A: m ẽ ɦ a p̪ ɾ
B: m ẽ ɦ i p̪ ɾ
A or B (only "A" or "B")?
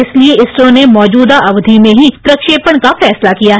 B